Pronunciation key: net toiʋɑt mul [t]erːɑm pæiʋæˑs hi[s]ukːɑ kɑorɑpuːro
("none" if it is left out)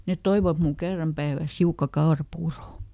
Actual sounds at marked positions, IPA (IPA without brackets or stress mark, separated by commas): k, none